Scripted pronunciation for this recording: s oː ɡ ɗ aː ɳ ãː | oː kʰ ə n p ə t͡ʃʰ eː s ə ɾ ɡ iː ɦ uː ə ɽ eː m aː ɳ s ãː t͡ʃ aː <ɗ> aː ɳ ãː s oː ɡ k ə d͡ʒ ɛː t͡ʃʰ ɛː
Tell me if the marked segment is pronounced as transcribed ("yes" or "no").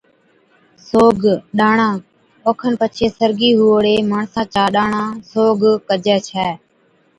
yes